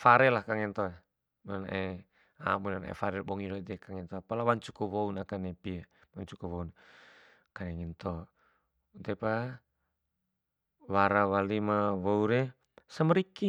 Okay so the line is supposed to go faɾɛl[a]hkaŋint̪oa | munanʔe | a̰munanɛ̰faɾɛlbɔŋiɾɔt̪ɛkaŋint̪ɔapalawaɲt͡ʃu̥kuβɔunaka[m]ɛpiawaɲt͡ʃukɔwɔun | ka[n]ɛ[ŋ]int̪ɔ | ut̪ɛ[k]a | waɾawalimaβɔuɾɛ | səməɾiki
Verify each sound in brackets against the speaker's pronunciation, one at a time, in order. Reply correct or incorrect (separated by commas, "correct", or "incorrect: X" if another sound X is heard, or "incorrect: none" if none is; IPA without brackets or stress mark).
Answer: correct, incorrect: n, correct, correct, incorrect: p